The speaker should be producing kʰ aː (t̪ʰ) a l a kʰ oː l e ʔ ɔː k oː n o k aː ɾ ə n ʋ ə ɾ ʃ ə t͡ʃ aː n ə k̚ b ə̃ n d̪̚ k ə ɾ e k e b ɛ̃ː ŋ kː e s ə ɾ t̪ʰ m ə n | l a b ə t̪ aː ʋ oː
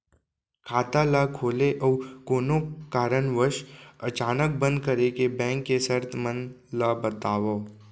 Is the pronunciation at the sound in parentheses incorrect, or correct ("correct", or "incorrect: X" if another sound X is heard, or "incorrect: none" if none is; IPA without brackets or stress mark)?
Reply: incorrect: t̪